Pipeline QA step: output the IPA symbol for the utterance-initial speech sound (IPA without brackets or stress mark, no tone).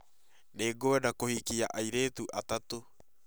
n